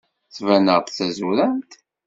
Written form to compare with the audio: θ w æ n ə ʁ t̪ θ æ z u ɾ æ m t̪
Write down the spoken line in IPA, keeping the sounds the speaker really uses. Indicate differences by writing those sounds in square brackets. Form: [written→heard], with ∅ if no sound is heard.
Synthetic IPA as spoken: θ [w→v] æ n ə ʁ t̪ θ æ z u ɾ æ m t̪